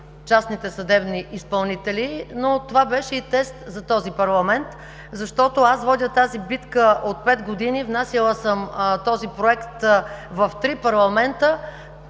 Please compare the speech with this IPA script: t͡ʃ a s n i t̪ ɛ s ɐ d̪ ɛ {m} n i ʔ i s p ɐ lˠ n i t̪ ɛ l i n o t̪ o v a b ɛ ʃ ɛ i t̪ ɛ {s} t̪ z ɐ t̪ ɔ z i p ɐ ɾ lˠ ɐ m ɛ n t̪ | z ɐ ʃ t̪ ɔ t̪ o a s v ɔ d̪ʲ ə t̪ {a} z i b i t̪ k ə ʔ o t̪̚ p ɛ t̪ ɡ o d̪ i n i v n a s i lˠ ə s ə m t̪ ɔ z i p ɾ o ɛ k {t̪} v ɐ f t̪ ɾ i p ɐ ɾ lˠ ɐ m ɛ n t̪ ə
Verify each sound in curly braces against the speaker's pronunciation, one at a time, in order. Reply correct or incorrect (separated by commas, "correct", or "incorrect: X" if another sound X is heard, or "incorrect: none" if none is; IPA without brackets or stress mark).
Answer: incorrect: b, correct, correct, correct